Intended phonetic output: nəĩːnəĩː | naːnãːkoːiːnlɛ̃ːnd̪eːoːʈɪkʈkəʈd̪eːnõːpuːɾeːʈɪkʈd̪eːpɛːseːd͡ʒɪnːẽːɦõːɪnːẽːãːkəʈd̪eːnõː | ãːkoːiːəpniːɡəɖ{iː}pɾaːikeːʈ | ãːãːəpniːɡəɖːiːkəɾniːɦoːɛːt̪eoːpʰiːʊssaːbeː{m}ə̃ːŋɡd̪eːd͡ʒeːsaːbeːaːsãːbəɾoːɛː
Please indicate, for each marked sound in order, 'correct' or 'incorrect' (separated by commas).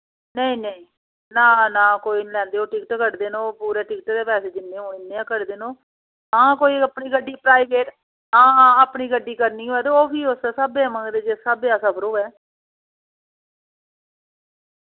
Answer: correct, correct